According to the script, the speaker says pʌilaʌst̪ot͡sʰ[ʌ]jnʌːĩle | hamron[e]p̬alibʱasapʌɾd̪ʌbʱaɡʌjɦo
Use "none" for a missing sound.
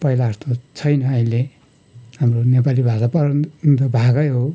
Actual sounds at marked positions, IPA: ʌ, e

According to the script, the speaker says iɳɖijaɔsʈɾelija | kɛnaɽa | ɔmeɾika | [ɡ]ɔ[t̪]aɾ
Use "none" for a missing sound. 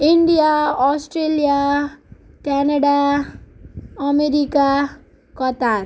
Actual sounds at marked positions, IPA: k, t̪

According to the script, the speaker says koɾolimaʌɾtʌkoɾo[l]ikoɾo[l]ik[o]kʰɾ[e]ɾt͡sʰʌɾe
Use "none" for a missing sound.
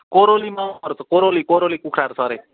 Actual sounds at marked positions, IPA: l, l, u, a

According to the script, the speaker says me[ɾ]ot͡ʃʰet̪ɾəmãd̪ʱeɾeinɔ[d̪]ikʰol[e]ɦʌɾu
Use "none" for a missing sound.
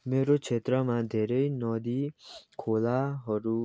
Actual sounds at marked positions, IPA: ɾ, d̪, a

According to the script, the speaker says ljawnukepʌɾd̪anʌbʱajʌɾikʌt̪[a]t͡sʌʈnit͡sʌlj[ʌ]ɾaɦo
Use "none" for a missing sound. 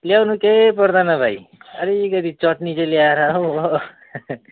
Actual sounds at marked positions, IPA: i, a

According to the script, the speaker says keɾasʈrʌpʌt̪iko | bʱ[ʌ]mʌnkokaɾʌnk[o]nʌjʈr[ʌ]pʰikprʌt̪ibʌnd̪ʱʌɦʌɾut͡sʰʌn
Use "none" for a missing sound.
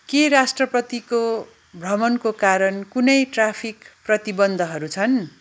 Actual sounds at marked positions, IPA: ʌ, u, a

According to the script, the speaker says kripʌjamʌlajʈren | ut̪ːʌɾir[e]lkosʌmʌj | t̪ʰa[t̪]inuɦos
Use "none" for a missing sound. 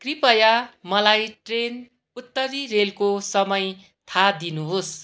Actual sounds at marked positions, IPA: e, d̪

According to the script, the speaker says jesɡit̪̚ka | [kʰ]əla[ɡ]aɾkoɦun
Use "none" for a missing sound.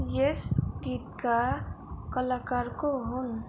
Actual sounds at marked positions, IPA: k, k

